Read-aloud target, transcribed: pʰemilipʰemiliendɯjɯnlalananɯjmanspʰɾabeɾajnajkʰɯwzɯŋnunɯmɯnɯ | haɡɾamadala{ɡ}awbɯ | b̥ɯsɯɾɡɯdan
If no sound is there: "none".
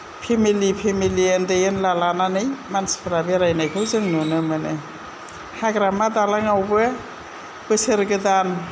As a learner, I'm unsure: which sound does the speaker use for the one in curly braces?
ŋ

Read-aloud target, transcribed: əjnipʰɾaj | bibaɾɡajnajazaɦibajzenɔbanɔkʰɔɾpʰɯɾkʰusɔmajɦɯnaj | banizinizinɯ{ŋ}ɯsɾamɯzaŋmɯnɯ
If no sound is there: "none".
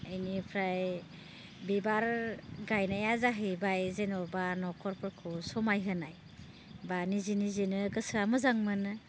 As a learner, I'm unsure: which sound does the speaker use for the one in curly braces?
ɡ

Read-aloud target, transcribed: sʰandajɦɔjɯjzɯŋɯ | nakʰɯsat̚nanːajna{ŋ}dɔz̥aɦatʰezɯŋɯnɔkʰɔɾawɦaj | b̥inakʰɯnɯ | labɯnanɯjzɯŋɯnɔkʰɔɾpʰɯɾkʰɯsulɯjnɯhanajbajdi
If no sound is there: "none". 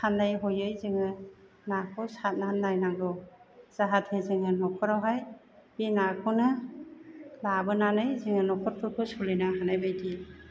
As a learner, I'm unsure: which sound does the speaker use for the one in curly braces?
ŋ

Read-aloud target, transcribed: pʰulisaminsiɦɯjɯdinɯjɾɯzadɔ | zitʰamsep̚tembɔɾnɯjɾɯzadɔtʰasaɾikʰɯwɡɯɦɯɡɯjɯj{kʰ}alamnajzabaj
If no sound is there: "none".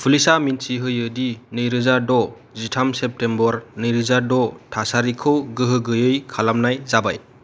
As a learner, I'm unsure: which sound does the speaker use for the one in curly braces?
kʰ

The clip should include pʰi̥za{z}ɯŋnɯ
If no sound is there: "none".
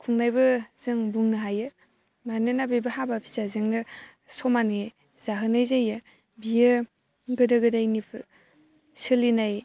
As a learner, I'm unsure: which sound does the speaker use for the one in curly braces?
z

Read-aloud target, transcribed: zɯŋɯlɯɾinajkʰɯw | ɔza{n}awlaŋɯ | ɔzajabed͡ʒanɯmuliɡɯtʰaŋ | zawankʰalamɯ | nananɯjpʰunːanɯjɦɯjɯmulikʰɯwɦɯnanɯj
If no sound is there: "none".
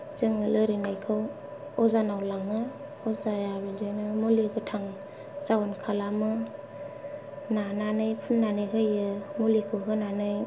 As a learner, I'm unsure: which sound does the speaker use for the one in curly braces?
n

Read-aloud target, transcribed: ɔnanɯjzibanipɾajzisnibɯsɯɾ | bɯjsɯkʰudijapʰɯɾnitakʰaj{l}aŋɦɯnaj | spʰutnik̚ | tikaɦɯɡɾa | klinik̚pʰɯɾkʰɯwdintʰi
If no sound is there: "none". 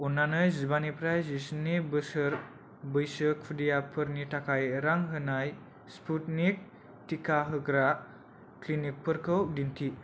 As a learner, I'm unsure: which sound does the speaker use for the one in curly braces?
ɾ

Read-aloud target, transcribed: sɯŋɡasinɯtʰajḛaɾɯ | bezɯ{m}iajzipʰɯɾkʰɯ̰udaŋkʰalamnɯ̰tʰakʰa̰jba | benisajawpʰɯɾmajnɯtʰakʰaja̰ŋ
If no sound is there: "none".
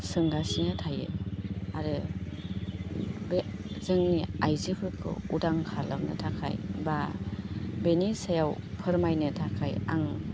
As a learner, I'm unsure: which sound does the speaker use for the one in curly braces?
ŋ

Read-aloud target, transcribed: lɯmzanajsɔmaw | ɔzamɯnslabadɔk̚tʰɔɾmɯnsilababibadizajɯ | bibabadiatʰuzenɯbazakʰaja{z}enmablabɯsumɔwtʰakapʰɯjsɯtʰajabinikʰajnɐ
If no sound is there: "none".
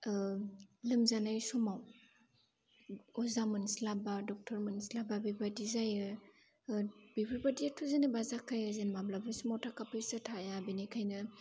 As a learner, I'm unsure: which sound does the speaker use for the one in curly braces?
z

